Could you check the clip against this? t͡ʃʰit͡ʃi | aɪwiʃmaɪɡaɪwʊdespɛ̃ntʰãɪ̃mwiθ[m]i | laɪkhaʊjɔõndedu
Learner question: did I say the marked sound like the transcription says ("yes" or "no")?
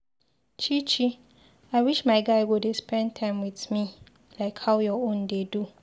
yes